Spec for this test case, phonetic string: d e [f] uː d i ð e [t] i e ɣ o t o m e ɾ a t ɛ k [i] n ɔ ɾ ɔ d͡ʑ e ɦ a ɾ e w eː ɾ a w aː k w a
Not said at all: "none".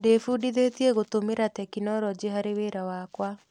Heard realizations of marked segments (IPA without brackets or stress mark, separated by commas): f, t, i